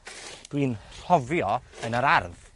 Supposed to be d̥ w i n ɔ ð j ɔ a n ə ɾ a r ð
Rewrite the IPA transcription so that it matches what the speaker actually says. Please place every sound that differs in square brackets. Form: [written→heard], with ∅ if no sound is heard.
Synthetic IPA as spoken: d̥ w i n ɔ [ð→v] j ɔ [a→ə] n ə ɾ a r ð